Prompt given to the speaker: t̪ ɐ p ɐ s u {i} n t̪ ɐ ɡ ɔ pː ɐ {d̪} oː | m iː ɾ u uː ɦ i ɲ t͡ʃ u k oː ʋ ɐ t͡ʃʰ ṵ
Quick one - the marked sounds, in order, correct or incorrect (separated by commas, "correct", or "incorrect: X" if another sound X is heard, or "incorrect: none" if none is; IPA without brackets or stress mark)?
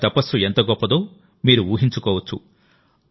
incorrect: e, correct